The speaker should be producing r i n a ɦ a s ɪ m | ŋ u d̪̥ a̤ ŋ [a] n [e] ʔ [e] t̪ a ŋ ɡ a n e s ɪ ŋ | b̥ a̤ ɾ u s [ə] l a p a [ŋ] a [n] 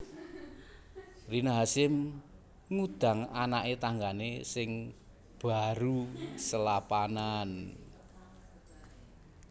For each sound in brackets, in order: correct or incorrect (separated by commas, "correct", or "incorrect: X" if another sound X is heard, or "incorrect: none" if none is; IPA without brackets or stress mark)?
correct, incorrect: a, correct, correct, incorrect: n, correct